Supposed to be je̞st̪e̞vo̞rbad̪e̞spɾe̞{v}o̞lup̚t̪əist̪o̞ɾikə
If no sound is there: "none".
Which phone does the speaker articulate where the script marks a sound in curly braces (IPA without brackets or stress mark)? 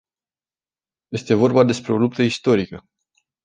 none